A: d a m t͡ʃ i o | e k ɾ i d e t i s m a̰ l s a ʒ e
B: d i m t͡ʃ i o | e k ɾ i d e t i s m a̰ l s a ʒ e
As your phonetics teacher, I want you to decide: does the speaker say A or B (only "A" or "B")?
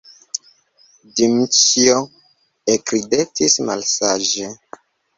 B